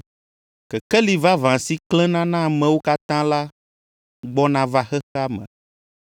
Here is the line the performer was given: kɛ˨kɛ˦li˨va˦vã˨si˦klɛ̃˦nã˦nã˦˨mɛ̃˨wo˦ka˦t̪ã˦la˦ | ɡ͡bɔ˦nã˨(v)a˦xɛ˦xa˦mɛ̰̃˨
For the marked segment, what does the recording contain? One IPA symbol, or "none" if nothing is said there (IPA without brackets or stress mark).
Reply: v